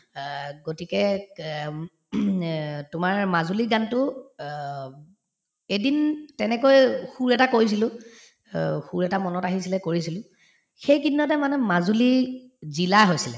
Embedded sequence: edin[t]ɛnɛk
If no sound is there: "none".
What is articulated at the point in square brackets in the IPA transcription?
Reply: t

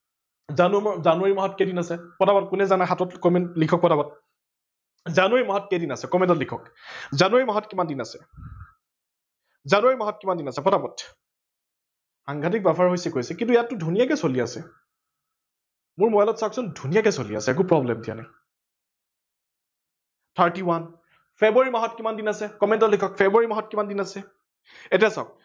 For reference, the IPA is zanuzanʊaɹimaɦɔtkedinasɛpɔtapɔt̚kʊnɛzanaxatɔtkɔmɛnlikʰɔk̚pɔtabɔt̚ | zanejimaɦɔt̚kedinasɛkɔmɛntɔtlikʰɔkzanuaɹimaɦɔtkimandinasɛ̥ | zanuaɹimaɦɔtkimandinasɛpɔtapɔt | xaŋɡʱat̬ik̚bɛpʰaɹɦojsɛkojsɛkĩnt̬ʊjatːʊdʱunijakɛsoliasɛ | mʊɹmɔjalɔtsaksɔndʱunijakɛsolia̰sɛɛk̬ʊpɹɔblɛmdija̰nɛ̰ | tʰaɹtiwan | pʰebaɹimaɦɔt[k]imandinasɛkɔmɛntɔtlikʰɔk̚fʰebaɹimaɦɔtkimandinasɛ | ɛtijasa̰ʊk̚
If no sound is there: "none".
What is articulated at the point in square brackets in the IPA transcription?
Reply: k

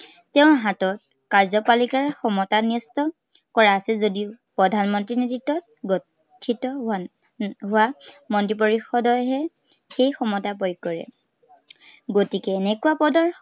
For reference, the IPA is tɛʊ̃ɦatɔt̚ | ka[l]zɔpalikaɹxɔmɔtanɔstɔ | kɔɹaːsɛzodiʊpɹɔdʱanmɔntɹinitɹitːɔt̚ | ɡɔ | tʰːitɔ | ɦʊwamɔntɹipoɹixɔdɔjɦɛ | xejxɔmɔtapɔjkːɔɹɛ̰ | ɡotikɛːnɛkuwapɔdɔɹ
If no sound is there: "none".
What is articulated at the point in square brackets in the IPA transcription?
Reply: ɹ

